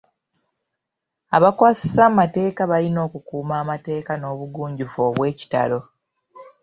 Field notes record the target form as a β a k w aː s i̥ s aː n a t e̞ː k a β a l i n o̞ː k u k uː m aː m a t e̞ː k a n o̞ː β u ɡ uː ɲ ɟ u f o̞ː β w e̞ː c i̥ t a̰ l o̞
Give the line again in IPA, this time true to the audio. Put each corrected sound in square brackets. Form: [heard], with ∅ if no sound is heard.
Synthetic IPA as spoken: a β a k w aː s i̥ s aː [m] a t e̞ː k a β a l i n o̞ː k u k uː m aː m a t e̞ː k a n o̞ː β u ɡ uː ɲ ɟ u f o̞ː β w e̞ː c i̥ t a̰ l o̞